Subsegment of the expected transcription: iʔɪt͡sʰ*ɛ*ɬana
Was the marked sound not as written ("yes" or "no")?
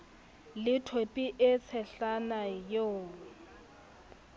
no